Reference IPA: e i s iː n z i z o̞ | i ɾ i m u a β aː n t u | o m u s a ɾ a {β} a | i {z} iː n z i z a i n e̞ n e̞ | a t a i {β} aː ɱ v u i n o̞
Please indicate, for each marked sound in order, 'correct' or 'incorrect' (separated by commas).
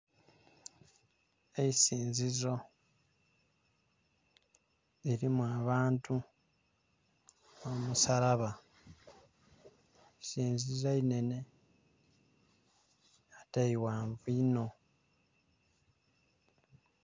correct, incorrect, incorrect